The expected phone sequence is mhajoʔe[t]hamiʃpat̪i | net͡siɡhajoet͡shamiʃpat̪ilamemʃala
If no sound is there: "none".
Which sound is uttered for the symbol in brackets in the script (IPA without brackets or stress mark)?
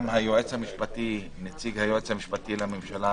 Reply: t͡s